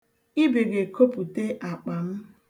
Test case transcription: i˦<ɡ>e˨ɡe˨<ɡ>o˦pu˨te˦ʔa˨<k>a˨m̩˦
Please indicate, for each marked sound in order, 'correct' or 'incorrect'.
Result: incorrect: b, incorrect: k, incorrect: k͡p

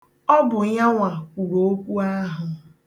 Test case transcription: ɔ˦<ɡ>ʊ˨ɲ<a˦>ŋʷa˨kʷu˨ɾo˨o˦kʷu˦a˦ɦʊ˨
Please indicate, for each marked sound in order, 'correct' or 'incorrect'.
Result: incorrect: b, correct

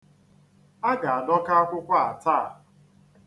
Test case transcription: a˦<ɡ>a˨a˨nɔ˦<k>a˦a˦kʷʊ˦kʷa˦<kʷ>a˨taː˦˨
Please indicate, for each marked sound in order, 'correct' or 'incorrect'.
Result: correct, correct, incorrect: none

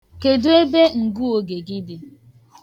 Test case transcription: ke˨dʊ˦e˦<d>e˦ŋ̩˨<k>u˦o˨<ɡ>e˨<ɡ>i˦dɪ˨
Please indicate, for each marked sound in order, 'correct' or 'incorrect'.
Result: incorrect: b, incorrect: ɡ, correct, correct

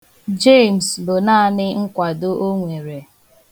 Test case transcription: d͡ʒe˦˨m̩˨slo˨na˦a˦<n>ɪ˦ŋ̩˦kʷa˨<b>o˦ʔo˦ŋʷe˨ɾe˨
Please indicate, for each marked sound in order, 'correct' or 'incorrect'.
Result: correct, incorrect: d

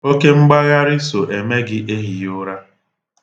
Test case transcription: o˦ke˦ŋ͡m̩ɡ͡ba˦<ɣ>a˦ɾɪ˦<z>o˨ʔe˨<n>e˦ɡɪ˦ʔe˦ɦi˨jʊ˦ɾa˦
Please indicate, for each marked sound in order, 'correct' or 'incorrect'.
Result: correct, incorrect: s, incorrect: m

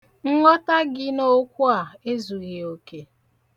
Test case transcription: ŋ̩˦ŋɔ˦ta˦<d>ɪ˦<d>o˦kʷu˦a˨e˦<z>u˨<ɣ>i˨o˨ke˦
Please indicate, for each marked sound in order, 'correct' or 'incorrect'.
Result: incorrect: ɡ, incorrect: n, correct, correct

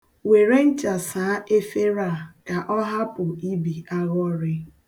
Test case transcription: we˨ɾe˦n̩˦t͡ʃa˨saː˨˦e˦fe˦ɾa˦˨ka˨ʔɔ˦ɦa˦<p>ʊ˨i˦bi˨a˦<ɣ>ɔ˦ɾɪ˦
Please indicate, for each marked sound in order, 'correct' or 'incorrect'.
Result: correct, correct

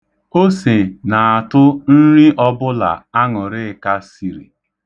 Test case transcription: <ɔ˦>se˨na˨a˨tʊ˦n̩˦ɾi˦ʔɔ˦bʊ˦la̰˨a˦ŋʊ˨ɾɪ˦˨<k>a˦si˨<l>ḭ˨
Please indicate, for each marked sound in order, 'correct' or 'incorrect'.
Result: incorrect: o˦, correct, incorrect: ɾ

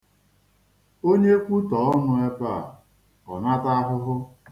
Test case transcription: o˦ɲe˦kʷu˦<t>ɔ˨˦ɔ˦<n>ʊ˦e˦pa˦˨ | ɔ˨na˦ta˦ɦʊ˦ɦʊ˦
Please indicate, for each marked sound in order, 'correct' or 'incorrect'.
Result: correct, correct

